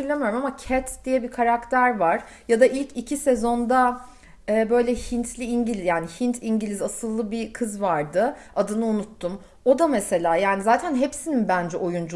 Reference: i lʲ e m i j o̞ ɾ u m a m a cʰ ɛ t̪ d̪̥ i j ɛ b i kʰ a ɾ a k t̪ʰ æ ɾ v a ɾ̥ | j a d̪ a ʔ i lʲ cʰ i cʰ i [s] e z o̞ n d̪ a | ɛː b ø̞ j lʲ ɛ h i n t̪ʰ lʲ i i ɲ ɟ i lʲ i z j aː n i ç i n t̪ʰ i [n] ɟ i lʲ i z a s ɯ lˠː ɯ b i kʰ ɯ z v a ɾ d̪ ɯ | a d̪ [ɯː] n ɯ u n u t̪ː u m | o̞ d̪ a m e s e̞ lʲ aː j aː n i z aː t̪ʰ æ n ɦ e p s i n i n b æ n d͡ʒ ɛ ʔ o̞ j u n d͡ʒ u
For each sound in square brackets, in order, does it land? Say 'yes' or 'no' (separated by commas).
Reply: yes, no, no